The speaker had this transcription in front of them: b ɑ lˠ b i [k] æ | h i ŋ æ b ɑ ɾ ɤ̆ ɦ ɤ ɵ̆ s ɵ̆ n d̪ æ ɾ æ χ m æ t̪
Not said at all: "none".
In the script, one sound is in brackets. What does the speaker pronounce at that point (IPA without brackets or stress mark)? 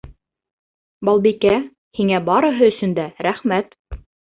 k